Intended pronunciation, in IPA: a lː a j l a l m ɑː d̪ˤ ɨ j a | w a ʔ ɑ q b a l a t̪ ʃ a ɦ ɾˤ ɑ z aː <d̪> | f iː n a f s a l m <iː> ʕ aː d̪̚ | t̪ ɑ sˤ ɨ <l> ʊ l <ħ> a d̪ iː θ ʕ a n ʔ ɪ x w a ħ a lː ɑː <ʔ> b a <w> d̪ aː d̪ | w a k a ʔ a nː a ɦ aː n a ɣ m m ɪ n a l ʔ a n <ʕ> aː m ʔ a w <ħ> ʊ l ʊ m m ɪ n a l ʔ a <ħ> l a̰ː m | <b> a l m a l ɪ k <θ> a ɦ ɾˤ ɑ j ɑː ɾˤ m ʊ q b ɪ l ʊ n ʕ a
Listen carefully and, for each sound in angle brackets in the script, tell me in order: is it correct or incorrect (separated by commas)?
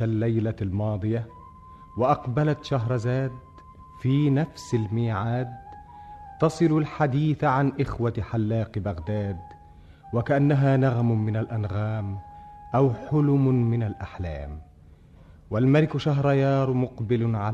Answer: correct, correct, correct, correct, incorrect, incorrect, incorrect, correct, correct, incorrect, incorrect